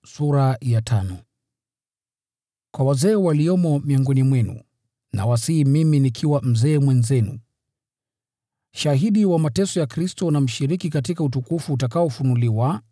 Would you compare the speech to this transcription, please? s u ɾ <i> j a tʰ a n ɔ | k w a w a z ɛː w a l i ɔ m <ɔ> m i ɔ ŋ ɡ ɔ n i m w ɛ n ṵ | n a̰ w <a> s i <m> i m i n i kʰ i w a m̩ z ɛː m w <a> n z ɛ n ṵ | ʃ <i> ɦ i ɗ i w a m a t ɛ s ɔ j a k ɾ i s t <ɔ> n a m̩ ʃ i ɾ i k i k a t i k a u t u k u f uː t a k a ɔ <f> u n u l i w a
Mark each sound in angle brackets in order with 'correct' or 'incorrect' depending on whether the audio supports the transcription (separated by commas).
incorrect, correct, correct, correct, incorrect, incorrect, correct, correct